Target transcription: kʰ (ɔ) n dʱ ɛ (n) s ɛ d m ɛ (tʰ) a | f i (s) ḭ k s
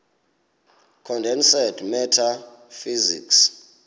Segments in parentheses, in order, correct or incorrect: correct, correct, correct, incorrect: z

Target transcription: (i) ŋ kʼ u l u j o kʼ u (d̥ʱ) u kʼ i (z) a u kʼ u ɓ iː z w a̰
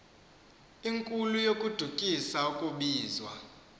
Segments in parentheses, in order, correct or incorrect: correct, correct, incorrect: s

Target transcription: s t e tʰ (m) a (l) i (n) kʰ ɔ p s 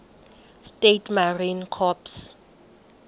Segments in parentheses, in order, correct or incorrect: correct, incorrect: r, correct

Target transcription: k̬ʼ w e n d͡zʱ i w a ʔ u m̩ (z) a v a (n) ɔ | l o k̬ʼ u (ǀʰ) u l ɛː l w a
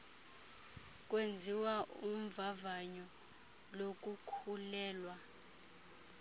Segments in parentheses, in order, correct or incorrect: incorrect: v, incorrect: ɲ, incorrect: kʰ

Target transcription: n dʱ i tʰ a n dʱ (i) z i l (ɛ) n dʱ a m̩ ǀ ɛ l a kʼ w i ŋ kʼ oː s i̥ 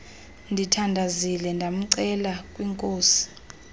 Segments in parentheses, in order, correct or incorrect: incorrect: a, correct

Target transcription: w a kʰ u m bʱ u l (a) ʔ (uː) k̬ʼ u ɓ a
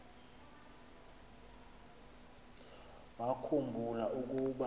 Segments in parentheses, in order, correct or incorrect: correct, incorrect: u

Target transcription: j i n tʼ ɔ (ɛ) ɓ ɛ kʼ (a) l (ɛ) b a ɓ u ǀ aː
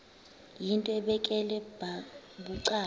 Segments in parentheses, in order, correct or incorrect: correct, incorrect: ɛ, correct

